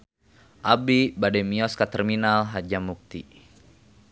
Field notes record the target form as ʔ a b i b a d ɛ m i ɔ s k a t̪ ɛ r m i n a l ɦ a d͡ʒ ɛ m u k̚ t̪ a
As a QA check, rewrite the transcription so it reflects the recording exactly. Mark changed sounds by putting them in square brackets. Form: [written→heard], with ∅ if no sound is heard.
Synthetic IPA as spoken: ʔ a b i b a d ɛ m i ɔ s k a t̪ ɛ r m i n a l ɦ a d͡ʒ [ɛ→a] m u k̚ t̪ [a→i]